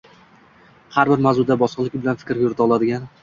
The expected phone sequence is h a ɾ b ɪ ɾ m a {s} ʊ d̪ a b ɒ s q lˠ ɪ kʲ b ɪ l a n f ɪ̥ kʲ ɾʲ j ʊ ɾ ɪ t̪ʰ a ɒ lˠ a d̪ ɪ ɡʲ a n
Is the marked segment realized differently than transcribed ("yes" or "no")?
yes